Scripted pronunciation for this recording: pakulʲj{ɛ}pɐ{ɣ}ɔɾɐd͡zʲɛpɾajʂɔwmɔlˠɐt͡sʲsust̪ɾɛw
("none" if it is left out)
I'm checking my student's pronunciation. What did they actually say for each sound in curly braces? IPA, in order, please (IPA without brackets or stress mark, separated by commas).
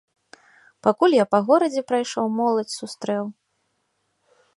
a, ɣ